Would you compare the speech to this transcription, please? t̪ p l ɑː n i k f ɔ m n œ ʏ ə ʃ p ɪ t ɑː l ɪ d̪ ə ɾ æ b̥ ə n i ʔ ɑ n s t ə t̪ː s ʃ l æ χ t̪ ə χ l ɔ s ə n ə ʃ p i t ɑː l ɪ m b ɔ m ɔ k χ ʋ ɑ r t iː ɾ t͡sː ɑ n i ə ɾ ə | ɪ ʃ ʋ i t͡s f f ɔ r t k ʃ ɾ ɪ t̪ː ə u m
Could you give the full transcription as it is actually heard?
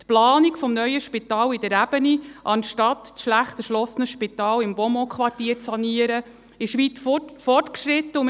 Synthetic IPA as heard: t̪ p l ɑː n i k f ɔ m n œ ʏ ə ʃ p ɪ t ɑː l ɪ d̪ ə ɾ æ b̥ ə n i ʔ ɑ n ʃ t ɑ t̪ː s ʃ l æ χ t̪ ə ʃ l ɔ s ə n ə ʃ p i t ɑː l ɪ m b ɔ m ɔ k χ ʋ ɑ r t iː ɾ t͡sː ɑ n i ə ɾ ə | ɪ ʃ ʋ i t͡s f f ɔ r t k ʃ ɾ ɪ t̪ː ə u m